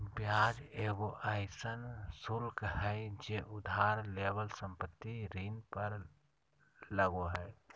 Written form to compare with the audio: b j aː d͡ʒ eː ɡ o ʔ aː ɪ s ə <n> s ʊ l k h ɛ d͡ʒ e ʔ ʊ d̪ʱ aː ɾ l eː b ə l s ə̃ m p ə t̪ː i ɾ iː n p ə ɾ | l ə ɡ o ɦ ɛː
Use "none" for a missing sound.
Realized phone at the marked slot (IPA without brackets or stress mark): n